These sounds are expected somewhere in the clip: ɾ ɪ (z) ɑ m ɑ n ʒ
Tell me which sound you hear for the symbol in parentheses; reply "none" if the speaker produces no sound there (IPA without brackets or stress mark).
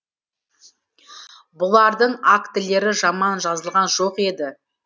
ʒ